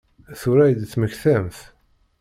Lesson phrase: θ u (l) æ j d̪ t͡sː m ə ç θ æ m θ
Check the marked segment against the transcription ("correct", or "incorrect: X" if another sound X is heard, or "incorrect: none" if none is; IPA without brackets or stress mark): incorrect: ɾ